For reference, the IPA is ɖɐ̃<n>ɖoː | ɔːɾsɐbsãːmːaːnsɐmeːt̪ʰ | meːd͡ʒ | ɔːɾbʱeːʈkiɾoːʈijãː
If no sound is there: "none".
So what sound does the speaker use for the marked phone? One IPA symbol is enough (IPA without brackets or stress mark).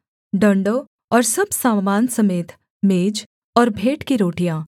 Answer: ɳ